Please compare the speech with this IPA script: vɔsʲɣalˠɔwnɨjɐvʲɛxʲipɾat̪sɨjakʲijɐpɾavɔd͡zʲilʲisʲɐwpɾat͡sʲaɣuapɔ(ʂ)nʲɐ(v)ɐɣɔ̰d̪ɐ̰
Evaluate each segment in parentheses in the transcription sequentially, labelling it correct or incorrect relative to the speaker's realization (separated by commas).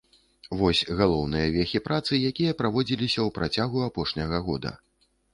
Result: correct, incorrect